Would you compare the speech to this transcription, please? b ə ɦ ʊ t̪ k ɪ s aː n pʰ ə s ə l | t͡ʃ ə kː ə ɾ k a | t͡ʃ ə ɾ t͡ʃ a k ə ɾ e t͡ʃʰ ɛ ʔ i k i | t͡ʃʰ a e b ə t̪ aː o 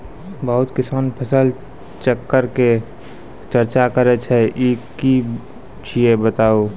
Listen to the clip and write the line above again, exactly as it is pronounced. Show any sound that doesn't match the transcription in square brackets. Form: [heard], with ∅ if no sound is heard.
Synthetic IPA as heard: b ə ɦ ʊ t̪ k ɪ s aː n pʰ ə s ə l | t͡ʃ ə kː ə ɾ k [e] | t͡ʃ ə ɾ t͡ʃ a k ə ɾ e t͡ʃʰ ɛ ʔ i k i | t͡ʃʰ [i] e b ə t̪ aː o